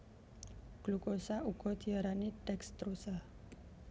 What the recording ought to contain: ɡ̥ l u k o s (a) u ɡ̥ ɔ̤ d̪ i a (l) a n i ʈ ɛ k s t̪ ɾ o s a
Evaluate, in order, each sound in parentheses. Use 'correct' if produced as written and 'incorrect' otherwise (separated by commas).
correct, incorrect